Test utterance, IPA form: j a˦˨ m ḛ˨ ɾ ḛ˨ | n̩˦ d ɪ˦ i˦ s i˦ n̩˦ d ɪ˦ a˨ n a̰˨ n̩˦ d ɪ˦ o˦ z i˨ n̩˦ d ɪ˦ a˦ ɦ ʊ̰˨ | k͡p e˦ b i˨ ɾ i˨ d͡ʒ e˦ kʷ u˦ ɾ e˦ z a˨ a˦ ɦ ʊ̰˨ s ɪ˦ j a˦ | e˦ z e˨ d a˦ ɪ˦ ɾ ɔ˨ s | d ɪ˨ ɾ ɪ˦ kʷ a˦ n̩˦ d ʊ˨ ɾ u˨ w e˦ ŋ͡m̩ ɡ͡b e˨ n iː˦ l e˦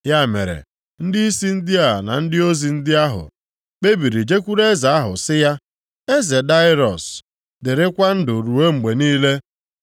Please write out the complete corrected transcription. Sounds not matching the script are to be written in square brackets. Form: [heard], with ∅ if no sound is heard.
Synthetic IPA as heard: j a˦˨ m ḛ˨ ɾ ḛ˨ | n̩˦ d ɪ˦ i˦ s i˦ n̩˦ d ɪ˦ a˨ n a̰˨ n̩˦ d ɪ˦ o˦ z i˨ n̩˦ d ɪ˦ a˦ ɦ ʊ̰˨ | k͡p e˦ b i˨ ɾ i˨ d͡ʒ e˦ kʷ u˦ ɾ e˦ z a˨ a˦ ɦ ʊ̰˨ s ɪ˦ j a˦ | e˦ z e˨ d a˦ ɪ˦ ɾ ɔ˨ s | d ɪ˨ ɾ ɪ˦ kʷ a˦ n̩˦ d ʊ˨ ɾ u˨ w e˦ ŋ͡m̩ ɡ͡b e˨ n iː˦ l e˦